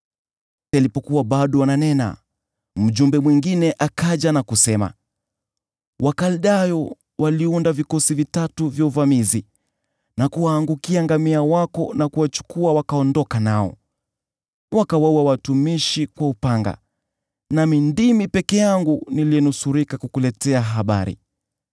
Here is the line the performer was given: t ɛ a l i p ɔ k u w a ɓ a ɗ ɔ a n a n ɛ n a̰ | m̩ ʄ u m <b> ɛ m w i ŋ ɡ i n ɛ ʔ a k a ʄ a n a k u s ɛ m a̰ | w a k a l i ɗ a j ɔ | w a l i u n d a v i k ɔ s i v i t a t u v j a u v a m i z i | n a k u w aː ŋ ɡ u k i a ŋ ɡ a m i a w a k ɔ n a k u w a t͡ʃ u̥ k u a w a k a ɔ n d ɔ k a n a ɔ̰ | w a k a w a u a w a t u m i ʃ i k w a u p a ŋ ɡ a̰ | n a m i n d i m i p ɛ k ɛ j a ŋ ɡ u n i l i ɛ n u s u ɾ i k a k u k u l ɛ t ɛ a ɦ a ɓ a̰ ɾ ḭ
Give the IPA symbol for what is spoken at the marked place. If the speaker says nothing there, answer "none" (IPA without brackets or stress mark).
b